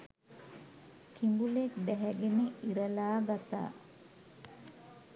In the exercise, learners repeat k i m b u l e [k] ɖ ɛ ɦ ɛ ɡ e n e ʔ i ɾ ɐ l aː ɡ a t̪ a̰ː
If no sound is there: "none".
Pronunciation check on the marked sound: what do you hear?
k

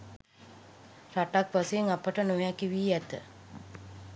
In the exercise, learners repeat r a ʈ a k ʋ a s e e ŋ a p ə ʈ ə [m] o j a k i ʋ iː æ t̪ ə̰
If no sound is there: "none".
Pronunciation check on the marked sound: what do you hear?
n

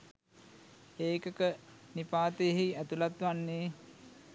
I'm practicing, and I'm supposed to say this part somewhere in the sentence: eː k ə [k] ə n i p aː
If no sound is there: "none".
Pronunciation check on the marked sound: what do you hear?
k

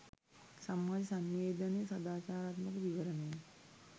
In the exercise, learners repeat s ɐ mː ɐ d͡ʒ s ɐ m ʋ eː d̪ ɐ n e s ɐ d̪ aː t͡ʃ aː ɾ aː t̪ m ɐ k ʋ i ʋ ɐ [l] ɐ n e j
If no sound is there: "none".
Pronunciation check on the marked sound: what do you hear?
ɾ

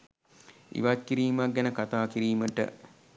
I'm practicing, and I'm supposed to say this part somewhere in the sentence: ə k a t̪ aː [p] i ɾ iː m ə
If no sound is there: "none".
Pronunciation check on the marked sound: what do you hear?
k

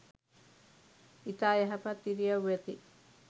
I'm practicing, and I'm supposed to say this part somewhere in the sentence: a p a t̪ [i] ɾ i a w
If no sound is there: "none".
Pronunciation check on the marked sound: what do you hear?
i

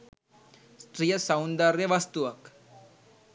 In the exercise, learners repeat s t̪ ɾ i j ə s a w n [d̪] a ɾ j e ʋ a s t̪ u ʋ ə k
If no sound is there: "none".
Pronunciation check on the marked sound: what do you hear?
d̪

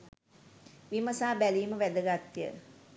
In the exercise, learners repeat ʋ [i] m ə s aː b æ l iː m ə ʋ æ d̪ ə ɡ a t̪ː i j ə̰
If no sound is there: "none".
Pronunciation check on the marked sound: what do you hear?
i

